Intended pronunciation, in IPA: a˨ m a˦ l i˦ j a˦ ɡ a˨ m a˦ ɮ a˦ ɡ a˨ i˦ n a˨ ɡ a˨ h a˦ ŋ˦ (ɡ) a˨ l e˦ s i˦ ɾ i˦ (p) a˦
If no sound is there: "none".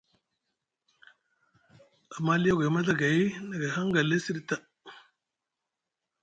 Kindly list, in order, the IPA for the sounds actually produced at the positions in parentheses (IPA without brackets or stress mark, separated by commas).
ɡ, t